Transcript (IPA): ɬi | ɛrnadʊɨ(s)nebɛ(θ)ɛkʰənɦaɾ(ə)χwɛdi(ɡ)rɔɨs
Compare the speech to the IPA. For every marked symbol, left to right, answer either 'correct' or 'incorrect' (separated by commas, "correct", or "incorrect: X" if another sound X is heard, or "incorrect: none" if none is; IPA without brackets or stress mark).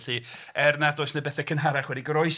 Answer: correct, correct, incorrect: a, correct